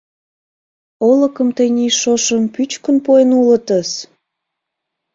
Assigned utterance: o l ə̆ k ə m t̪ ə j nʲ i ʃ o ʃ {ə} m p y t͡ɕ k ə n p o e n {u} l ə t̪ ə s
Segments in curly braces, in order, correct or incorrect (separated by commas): correct, correct